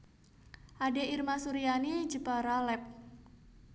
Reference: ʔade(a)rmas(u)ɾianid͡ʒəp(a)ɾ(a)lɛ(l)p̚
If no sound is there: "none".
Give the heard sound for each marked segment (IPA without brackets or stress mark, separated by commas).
i, u, a, a, none